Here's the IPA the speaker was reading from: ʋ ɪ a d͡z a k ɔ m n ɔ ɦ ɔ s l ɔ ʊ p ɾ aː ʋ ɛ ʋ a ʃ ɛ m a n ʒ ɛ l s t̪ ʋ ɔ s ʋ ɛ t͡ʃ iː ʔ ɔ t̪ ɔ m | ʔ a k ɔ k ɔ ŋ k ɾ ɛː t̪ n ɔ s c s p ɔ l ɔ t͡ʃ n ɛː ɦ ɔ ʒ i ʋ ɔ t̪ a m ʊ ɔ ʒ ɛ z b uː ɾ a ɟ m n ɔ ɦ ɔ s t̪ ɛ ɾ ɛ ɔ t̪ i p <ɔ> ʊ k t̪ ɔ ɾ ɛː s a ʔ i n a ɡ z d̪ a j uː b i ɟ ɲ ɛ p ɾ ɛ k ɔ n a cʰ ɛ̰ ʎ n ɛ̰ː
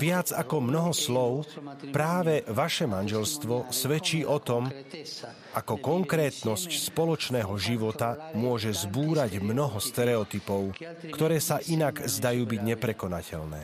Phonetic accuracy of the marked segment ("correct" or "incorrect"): correct